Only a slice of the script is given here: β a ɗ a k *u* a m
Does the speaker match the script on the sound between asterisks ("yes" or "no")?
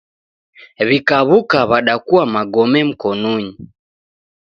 yes